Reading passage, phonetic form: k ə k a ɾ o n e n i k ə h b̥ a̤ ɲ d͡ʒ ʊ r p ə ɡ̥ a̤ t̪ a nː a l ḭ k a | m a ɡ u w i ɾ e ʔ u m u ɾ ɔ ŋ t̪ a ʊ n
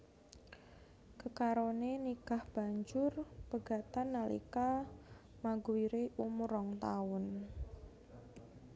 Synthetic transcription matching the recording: k ə k a ɾ o n e n i k a h b̥ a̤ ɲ d͡ʒ ʊ r p ə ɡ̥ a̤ t̪ a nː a l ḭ k a | m a ɡ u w i ɾ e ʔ u m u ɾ ɔ ŋ t̪ a ʊ n

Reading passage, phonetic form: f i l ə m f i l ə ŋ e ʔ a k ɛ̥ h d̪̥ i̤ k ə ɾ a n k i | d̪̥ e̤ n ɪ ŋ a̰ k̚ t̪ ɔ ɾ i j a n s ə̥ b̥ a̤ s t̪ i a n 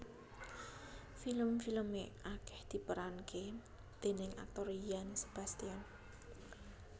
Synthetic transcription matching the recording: f i l ə m f i l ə m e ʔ a k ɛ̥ h d̪̥ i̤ p ə ɾ a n k e | d̪̥ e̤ n ɪ ŋ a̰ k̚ t̪ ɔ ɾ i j a n s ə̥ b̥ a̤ s t̪ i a n

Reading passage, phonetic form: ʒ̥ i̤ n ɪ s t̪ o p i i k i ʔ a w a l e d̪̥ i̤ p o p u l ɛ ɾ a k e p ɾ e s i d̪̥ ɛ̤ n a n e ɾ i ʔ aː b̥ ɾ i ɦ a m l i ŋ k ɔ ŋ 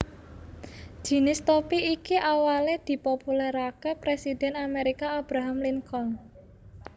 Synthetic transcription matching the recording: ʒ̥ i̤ n ɪ s t̪ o p i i k i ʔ a w a l e d̪̥ i̤ p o p u l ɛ ɾ a k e p ɾ e s i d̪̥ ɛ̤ n a m e ɾ i k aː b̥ ɾ a ɦ a m l i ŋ k ɔ ŋ

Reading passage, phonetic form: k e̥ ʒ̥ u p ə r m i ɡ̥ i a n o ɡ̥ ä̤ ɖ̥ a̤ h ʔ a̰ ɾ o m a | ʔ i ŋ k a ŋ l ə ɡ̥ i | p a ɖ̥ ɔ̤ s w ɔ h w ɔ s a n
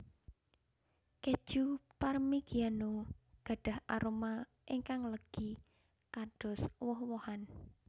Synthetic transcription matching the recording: k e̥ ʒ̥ u p a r m i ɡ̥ i a n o ɡ̥ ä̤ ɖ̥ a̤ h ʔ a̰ ɾ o m a | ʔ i ŋ k a ŋ l ə ɡ̥ i | k a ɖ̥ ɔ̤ s w ɔ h w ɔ h a n

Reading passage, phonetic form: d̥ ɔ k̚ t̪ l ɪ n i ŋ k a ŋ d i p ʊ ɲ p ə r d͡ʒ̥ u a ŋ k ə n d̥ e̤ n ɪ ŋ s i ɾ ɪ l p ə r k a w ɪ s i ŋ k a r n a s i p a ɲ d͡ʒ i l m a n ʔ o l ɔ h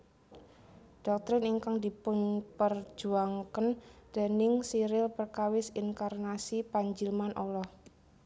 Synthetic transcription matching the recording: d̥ ɔ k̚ t̪ ɾ ɪ n i ŋ k a ŋ d i p ʊ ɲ p ə r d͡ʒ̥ u a ŋ k ə n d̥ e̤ n ɪ ŋ s i ɾ ɪ l p ə r k a w ɪ s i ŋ k a r n a s i p a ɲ d͡ʒ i l m a n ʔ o l ɔ h

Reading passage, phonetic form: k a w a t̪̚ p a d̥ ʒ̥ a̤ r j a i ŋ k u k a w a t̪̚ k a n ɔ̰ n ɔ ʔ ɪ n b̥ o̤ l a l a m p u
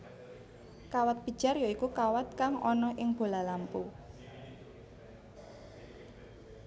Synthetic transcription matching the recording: k a w a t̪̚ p i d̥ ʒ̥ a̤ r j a i k u k a w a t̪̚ k a ŋ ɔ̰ n ɔ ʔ ɪ ŋ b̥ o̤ l a l a m p u

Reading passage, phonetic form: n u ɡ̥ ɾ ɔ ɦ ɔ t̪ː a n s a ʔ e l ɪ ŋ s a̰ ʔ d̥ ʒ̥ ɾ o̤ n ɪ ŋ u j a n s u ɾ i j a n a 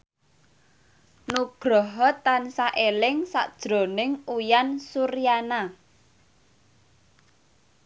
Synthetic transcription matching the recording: n u ɡ̥ ɾ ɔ ɦ ɔ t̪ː a n s a ʔ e l ɪ ŋ s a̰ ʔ d̥ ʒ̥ ɾ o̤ n ɪ ŋ u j a n s u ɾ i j a n a

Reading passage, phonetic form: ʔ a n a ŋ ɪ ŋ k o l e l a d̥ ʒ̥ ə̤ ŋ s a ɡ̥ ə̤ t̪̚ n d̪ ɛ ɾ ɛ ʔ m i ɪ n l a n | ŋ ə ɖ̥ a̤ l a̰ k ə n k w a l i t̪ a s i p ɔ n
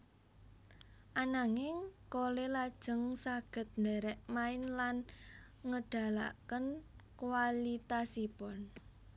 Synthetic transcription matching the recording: ʔ a n a ŋ ɪ ŋ k o l e l a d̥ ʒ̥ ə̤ ŋ s a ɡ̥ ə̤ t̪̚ n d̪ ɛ ɾ ɛ ʔ m a ɪ n l a n | ŋ ə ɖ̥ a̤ l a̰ k ə n k w a l i t̪ a s i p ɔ n

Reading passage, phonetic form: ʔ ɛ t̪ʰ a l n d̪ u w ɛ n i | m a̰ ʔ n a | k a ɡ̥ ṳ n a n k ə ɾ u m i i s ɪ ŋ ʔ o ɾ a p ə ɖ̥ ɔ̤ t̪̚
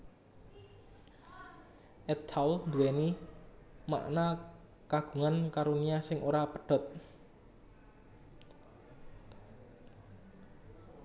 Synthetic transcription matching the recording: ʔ ɛ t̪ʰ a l n d̪ u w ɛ n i | m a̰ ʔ n a | k a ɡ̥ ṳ ŋ a n k a ɾ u n i a s ɪ ŋ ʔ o ɾ a p ə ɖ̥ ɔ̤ t̪̚

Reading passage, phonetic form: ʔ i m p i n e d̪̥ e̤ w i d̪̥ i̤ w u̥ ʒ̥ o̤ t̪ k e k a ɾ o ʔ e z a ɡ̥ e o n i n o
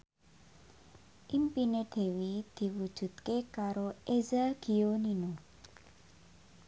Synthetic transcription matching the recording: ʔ i m p i n e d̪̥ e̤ w i d̪̥ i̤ w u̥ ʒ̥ ṳ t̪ k e k a ɾ o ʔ e z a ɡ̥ i o n i n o

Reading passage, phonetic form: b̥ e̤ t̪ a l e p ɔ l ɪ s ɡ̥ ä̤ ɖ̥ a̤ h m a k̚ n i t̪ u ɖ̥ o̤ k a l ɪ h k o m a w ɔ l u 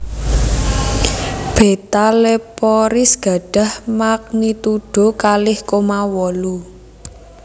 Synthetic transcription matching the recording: b̥ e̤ t̪ a l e p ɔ ɾ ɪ s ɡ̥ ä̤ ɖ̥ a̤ h m a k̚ n i t̪ u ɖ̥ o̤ k a l ɪ h k o m a w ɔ l u

